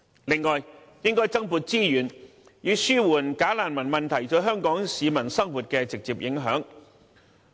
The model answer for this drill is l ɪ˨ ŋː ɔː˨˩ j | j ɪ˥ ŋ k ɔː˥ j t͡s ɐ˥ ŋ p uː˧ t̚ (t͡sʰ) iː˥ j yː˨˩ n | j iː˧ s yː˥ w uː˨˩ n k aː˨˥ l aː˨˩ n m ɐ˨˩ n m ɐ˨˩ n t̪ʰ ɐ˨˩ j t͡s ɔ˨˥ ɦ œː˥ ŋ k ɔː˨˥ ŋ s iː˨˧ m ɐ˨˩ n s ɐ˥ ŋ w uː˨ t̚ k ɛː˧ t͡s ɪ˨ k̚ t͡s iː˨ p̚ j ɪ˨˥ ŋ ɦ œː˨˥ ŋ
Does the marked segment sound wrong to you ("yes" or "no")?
yes